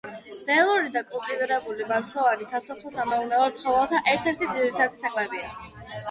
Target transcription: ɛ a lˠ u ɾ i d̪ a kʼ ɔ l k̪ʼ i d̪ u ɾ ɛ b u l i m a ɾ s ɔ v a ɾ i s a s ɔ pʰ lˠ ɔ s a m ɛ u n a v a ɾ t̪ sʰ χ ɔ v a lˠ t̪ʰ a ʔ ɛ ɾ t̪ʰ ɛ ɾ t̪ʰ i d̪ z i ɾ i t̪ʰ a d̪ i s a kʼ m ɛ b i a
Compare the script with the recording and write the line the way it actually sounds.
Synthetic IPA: ɛ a lˠ u ɾ i d̪ a kʼ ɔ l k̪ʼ i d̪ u ɾ ɛ b u l i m a ɾ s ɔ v a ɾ i s a s ɔ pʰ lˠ ɔ s a m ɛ u n a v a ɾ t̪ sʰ χ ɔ v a lˠ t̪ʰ a ʔ ɛ ɾ t̪ʰ ɛ ɾ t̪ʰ i d̪ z i ɾ i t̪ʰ a d̪ i s a kʼ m ɛ b i a